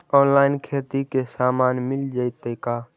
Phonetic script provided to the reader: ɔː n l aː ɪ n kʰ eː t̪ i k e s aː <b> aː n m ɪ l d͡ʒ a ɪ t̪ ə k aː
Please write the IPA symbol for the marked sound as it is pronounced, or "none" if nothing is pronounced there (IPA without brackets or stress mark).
m